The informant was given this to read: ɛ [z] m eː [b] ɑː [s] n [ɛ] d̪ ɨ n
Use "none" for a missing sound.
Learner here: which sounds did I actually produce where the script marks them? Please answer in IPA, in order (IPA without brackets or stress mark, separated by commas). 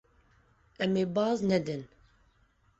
none, b, z, ɛ